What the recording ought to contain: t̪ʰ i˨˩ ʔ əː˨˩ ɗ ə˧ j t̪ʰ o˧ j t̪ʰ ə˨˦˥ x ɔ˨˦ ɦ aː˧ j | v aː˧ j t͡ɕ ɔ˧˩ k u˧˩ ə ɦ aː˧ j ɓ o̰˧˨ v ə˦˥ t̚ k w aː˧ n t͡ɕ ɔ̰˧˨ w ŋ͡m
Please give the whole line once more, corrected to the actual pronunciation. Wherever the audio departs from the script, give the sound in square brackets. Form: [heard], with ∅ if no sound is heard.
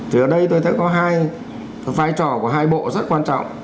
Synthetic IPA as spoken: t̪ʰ i˨˩ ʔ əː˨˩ ɗ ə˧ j [t̪] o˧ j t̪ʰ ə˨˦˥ [k] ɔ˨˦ ɦ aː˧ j | v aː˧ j t͡ɕ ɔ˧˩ k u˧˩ ə ɦ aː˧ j ɓ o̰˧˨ [z] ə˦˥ t̚ k w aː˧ n t͡ɕ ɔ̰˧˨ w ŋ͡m